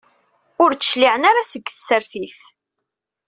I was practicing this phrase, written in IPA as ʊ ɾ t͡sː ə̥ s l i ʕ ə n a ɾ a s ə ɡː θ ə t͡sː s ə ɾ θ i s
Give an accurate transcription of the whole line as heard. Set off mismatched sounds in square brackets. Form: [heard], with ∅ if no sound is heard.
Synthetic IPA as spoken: ʊ ɾ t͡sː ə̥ [ʃ] l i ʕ ə n a ɾ a s ə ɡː θ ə [∅] s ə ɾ θ i [θ]

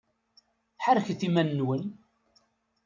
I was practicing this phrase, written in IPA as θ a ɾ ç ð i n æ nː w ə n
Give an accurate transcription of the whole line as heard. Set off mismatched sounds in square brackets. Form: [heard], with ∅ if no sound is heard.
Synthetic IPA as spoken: [ħ] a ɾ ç [θ] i [m] æ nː w ə n

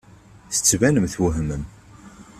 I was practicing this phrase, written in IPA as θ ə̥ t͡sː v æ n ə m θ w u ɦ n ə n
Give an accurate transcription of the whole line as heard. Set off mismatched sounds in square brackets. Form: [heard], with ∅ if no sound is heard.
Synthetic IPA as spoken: θ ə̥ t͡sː v æ n ə m θ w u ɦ [m] ə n

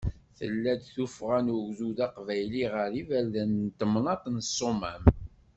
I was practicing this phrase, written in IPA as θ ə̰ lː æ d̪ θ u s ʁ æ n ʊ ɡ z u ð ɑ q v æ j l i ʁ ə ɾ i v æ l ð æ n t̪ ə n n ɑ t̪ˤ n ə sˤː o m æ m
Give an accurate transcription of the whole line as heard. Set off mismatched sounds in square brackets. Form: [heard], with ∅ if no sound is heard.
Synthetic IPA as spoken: θ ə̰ lː æ d̪ θ u [f] ʁ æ n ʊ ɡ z u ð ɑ q v æ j l i ʁ ə ɾ i v æ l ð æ n t̪ ə [m] n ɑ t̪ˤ n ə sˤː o m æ m

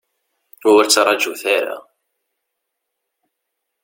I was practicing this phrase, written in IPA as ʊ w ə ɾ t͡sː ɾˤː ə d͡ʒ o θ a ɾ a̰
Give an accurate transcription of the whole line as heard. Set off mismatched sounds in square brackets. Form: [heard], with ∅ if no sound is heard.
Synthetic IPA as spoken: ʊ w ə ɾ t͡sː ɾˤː [ɑ] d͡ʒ [u] θ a ɾ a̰

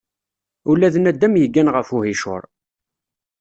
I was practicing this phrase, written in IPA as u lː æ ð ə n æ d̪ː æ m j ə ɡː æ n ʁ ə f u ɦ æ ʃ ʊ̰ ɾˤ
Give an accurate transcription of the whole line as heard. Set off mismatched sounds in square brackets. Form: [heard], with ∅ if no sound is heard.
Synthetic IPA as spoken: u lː æ ð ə n æ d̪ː æ m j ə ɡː æ n ʁ ə f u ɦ [i] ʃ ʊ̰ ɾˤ

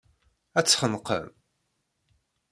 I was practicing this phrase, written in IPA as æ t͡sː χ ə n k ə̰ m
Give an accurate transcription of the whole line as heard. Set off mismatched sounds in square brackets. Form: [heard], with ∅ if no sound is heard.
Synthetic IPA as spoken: æ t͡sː χ ə n [q] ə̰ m

